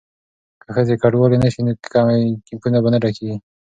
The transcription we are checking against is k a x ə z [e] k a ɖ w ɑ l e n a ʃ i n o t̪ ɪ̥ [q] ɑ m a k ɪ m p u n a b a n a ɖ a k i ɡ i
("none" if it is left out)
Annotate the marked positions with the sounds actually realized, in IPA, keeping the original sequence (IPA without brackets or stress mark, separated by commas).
e, k